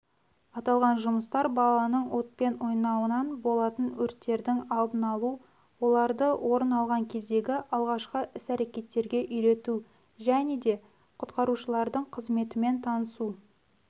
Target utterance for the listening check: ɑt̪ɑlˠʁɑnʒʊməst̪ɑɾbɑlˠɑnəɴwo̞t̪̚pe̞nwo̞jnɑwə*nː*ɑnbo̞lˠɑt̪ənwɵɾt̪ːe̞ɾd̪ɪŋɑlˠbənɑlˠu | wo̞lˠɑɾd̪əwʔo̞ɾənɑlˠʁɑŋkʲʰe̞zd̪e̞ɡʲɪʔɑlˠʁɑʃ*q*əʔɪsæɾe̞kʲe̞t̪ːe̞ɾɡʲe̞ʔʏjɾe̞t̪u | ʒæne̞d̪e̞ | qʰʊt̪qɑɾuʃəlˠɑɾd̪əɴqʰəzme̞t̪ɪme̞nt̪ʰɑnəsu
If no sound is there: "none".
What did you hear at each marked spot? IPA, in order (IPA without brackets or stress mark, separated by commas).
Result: n, q